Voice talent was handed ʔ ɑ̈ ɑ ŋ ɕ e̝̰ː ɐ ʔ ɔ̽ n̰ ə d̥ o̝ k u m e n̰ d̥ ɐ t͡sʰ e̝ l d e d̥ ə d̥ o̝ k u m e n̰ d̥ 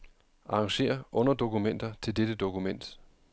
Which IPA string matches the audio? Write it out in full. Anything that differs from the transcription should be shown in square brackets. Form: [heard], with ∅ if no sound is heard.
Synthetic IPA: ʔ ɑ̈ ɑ ŋ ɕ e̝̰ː ɐ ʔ ɔ̽ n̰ [ɐ] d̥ o̝ k u m e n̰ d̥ ɐ t͡sʰ e̝ l d e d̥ ə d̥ o̝ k u m e n̰ d̥